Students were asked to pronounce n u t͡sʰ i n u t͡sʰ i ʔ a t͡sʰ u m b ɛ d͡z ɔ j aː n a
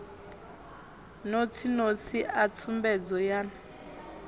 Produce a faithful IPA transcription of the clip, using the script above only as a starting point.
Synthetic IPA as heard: n o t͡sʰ i n o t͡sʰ i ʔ a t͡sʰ u m b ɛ d͡z ɔ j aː n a